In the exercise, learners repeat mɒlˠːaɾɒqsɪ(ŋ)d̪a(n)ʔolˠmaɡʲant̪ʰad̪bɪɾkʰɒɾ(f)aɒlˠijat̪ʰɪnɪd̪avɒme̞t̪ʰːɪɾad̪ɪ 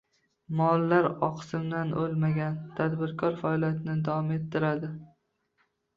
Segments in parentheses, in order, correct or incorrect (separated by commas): incorrect, correct, correct